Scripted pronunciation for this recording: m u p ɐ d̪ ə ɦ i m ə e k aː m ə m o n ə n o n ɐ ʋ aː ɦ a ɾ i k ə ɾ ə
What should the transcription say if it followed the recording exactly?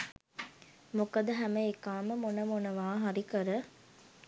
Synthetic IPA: m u k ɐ d̪ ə ɦ æ m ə e k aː m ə m o n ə m o n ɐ ʋ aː ɦ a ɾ i k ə ɾ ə